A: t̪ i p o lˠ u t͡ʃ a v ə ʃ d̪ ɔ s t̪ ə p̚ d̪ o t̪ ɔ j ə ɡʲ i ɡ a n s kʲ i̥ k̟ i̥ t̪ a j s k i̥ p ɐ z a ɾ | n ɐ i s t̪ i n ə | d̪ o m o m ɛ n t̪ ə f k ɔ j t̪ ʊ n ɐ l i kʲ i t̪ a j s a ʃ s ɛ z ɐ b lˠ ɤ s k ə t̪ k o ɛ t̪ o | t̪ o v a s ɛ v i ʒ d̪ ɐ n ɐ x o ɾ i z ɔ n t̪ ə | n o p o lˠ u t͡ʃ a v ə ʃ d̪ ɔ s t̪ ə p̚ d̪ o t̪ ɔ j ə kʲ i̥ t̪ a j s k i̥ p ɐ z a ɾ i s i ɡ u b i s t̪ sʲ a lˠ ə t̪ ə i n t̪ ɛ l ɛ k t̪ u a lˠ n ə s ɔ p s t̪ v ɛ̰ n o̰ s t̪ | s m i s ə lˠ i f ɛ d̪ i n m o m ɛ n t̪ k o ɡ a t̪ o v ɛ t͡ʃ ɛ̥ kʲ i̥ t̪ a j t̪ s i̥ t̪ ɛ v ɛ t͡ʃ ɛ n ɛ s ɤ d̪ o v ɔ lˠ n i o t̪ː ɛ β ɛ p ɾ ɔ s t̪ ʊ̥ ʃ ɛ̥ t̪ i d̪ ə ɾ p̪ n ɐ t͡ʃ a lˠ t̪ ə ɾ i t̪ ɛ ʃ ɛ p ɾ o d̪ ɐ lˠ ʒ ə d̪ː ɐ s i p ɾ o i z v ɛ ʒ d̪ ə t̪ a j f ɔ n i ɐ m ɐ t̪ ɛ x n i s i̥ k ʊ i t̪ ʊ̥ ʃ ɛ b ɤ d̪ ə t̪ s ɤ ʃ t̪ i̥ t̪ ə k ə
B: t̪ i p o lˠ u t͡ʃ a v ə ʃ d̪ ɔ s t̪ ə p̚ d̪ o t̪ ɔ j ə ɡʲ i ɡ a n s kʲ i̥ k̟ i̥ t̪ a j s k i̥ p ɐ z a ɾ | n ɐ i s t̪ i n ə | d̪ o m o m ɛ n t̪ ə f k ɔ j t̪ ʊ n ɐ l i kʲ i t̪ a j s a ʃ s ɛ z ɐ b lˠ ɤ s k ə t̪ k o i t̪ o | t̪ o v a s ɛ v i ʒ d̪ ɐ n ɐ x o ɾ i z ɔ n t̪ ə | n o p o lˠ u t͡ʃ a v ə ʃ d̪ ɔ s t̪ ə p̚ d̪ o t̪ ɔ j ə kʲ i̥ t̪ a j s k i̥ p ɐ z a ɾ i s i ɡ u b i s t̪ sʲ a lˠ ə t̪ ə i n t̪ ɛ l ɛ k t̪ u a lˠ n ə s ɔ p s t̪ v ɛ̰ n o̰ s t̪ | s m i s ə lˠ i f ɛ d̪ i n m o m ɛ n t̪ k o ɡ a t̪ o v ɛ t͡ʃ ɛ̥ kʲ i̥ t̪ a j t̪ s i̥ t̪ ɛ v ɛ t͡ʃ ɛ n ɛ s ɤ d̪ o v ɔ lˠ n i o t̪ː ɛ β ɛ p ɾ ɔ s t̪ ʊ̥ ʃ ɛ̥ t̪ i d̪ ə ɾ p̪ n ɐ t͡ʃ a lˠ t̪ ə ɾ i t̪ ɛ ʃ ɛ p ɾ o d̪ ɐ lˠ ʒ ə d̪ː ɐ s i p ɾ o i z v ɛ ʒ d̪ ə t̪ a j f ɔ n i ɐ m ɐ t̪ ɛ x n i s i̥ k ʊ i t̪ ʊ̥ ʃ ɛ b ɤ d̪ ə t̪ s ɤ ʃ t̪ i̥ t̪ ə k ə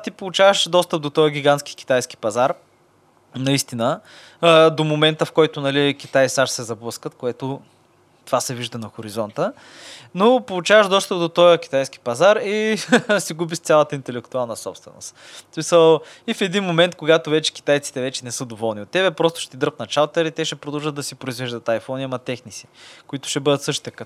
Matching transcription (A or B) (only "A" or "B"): A